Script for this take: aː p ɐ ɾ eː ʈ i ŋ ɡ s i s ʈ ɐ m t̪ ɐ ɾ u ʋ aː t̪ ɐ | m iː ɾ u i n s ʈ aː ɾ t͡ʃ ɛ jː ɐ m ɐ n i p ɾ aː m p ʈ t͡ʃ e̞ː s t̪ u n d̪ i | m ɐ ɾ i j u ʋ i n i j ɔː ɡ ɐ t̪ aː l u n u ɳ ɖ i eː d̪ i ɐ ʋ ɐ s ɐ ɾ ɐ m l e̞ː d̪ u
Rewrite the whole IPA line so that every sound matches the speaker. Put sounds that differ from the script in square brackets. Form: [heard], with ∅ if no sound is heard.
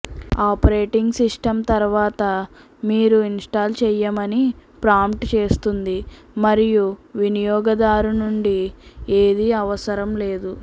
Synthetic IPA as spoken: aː p ɐ ɾ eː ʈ i ŋ ɡ s i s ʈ ɐ m t̪ ɐ ɾ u ʋ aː t̪ ɐ | m iː ɾ u i n s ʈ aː [l] t͡ʃ ɛ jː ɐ m ɐ n i p ɾ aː m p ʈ t͡ʃ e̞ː s t̪ u n d̪ i | m ɐ ɾ i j u ʋ i n i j ɔː ɡ ɐ [d̪] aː [ɾ] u n u ɳ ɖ i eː d̪ i ɐ ʋ ɐ s ɐ ɾ ɐ m l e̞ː d̪ u

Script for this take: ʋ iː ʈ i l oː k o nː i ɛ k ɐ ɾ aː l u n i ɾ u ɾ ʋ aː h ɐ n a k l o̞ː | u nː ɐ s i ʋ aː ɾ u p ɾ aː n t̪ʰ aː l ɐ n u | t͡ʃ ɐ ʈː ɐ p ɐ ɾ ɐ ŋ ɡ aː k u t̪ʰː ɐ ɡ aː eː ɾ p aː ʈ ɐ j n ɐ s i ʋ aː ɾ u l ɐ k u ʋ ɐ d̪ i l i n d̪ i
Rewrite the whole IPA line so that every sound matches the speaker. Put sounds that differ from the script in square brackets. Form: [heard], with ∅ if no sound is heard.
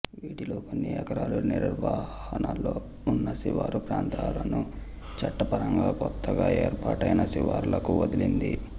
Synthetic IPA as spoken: ʋ iː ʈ i l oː k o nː i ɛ k ɐ ɾ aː l u n i ɾ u ɾ ʋ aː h ɐ n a [∅] l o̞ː | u nː ɐ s i ʋ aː ɾ u p ɾ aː n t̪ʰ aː l ɐ n u | t͡ʃ ɐ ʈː ɐ p ɐ ɾ ɐ ŋ ɡ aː k [ɔ] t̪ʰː ɐ ɡ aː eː ɾ p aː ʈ ɐ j n ɐ s i ʋ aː ɾ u l ɐ k u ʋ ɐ d̪ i l i n d̪ i

